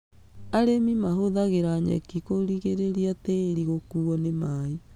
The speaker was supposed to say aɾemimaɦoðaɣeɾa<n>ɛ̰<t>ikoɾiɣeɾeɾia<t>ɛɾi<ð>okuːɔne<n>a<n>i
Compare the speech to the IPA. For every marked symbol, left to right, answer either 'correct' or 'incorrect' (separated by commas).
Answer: incorrect, incorrect, correct, incorrect, incorrect, incorrect